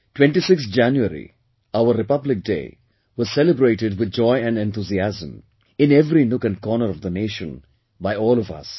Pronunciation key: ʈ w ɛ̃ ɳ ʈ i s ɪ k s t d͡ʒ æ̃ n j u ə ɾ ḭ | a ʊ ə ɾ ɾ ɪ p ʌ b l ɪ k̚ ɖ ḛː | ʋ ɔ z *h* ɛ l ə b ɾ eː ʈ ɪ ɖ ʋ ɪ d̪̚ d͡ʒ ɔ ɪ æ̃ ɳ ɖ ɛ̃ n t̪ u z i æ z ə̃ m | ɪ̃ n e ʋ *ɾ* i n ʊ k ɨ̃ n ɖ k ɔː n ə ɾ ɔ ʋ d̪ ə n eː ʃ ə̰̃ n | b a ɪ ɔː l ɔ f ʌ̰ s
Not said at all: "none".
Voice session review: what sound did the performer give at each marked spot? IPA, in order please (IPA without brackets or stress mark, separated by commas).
s, ɾ